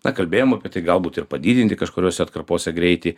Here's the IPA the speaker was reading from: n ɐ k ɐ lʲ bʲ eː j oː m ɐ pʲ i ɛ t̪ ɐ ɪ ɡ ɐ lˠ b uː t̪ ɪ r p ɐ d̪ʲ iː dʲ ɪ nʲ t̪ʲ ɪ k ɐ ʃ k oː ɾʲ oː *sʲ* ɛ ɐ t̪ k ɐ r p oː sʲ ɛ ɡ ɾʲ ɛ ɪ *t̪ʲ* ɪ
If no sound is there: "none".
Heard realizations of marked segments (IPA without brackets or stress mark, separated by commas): sʲ, t̪ʲ